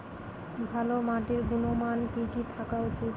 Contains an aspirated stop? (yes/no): yes